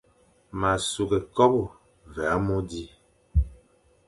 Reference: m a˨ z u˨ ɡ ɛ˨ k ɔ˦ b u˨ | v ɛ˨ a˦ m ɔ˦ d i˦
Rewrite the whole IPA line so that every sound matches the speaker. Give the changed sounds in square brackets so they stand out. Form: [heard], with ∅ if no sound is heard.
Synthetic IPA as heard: m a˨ [s] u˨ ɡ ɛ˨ k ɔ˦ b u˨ | v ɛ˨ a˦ m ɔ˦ d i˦